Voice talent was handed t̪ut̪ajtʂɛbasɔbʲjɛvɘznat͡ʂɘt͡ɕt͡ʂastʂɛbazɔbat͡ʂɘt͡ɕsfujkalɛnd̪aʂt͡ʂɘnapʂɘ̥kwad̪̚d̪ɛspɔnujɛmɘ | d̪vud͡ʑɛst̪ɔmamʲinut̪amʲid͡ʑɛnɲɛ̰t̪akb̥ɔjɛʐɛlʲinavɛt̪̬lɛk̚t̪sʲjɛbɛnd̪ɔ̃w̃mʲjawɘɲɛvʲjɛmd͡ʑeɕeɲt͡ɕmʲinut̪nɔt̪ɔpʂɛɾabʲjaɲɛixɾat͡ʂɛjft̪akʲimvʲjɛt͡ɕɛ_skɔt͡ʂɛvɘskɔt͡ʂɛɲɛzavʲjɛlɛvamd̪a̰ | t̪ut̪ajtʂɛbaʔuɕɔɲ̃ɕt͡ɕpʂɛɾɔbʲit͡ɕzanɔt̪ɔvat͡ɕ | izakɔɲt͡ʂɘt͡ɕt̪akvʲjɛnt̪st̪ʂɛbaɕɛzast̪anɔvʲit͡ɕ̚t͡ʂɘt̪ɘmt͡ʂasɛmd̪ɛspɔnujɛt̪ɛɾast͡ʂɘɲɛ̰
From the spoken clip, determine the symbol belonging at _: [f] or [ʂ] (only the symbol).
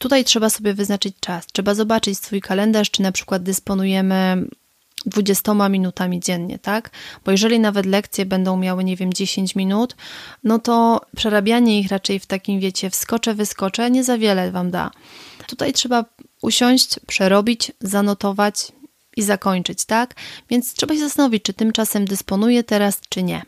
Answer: f